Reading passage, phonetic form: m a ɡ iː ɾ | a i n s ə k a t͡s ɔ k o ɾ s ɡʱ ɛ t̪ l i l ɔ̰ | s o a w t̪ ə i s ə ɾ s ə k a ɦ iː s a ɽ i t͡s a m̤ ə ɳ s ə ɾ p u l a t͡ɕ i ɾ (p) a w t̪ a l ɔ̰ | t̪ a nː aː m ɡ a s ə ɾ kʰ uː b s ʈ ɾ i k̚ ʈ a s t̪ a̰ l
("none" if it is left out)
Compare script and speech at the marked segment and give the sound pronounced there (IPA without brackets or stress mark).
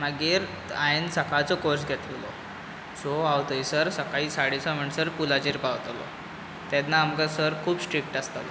p